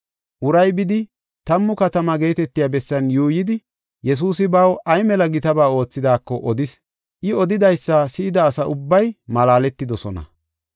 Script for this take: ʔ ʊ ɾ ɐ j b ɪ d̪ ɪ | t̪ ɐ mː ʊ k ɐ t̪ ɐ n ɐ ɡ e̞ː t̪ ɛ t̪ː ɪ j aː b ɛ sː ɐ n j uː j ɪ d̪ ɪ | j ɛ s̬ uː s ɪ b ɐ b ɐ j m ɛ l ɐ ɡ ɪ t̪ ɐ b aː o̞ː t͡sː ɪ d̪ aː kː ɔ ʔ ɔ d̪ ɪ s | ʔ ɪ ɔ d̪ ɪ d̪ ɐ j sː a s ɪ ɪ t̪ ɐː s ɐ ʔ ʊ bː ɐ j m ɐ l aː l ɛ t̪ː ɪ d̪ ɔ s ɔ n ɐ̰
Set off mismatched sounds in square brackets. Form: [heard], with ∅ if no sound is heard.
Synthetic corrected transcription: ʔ ʊ ɾ ɐ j b ɪ d̪ ɪ | t̪ ɐ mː ʊ k ɐ t̪ ɐ [m] ɐ ɡ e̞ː t̪ ɛ t̪ː ɪ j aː b ɛ sː ɐ n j uː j ɪ d̪ ɪ | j ɛ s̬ uː s ɪ b ɐ [w] ɐ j m ɛ l ɐ ɡ ɪ t̪ ɐ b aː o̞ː t͡sː ɪ d̪ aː kː ɔ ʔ ɔ d̪ ɪ s | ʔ ɪ ɔ d̪ ɪ d̪ ɐ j sː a s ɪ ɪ [d̪] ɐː s ɐ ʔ ʊ bː ɐ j m ɐ l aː l ɛ t̪ː ɪ d̪ ɔ s ɔ n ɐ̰